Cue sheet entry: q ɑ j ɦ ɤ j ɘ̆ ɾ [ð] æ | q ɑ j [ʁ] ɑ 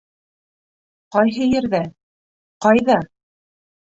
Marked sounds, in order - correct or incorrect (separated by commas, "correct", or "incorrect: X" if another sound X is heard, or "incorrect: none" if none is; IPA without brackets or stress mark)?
correct, incorrect: ð